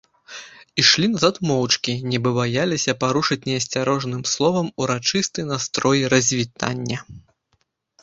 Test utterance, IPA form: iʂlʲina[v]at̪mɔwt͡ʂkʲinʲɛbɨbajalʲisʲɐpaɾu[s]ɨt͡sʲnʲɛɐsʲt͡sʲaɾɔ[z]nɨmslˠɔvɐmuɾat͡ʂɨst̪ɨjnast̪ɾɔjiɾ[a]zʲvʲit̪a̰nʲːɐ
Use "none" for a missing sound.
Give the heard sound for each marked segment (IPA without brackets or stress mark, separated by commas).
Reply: z, ʂ, ʐ, ɐ